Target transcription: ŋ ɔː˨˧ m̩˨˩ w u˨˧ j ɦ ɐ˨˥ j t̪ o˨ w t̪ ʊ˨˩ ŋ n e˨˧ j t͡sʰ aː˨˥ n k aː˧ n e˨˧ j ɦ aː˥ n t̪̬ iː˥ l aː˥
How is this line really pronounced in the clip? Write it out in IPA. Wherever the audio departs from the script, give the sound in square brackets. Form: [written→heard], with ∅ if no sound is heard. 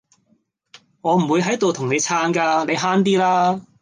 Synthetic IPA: ŋ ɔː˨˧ m̩˨˩ w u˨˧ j ɦ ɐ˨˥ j t̪ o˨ w [t̪→t̪ʰ] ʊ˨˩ ŋ n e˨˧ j t͡sʰ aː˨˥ n k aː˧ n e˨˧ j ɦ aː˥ n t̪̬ iː˥ l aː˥